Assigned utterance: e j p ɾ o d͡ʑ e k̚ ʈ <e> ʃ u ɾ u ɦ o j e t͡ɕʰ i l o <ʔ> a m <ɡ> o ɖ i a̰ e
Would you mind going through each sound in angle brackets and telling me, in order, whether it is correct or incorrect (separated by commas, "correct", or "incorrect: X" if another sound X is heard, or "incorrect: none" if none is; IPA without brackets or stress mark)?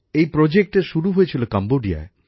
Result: correct, incorrect: k, incorrect: b